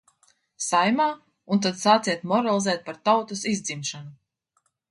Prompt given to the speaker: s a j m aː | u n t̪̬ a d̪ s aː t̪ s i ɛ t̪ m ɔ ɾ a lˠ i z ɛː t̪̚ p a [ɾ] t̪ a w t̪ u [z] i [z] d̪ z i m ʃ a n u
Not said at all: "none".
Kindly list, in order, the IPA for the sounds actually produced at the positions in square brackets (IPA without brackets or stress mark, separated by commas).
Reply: ɾ, s, z